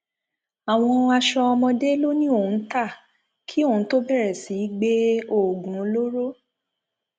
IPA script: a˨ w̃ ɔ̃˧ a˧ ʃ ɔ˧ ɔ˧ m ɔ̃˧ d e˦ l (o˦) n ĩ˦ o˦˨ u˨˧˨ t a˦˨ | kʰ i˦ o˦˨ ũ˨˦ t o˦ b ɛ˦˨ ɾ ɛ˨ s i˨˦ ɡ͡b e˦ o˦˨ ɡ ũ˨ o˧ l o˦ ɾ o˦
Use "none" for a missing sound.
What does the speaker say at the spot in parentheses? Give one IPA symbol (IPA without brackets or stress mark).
o˦